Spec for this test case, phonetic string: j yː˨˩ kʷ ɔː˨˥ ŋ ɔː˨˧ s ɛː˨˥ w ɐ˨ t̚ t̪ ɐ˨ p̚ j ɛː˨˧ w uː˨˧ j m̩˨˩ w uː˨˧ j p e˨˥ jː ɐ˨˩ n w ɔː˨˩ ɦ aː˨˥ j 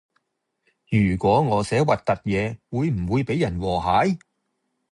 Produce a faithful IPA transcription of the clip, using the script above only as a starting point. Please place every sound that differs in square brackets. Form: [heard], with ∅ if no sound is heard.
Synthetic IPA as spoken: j yː˨˩ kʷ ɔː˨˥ ŋ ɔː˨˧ s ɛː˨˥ w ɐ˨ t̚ t̪ ɐ˨ [t̚] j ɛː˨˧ w uː˨˧ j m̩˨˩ w uː˨˧ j p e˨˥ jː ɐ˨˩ n w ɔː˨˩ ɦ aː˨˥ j